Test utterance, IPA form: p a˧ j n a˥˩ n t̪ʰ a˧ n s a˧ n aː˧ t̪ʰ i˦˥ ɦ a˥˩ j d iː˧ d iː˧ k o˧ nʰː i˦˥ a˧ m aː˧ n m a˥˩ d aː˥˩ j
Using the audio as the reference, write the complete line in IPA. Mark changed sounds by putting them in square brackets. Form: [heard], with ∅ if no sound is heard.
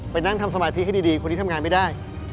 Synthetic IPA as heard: p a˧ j n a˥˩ [ŋ] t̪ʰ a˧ [m] s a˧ [m] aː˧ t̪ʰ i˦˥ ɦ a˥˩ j d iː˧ d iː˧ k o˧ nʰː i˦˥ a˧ [ŋ] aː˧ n m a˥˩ d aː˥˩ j